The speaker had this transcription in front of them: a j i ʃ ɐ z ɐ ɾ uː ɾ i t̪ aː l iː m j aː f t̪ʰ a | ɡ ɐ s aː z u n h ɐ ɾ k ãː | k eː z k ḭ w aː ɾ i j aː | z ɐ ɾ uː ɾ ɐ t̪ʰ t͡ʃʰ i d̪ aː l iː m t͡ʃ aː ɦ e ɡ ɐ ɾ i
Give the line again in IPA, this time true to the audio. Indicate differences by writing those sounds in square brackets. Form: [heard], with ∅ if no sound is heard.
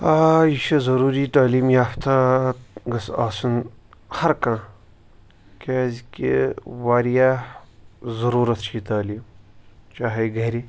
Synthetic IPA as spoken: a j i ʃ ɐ z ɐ ɾ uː ɾ i t̪ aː l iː m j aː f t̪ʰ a | ɡ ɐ s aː [s] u n h ɐ ɾ k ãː | k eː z k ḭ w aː ɾ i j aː | z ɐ ɾ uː ɾ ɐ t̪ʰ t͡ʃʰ i [t̪] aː l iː m t͡ʃ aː ɦ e ɡ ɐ ɾ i